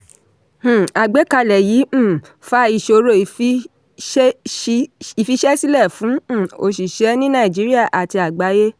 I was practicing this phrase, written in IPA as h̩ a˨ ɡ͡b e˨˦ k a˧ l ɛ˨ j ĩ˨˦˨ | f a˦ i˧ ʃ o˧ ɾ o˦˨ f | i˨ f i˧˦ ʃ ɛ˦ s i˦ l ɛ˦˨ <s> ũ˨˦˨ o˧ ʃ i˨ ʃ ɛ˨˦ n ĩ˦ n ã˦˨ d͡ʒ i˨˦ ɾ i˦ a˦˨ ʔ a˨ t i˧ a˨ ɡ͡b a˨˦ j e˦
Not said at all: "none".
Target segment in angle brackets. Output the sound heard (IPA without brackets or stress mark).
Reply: f